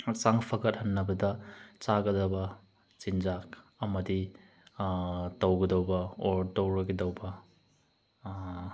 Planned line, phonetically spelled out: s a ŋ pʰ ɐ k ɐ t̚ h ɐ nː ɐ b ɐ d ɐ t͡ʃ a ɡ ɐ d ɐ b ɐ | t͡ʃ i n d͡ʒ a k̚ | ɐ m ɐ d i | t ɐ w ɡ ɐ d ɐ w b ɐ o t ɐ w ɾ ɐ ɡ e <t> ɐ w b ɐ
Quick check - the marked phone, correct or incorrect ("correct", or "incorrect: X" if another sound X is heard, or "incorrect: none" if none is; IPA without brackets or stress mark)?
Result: incorrect: d